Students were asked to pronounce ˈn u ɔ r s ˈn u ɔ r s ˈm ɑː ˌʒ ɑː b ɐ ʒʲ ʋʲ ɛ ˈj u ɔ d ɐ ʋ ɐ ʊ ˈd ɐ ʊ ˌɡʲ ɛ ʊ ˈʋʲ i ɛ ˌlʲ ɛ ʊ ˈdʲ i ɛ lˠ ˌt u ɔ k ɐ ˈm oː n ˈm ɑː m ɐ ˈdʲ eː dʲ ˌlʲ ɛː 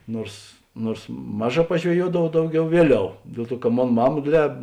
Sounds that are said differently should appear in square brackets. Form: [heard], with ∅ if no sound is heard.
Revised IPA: ˈn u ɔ r s ˈn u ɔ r s ˈm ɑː ˌʒ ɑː [p] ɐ ʒʲ ʋʲ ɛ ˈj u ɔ d ɐ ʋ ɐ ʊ ˈd ɐ ʊ ˌɡʲ ɛ ʊ ˈʋʲ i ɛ ˌlʲ ɛ ʊ ˈdʲ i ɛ lˠ ˌt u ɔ k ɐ ˈm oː n ˈm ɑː m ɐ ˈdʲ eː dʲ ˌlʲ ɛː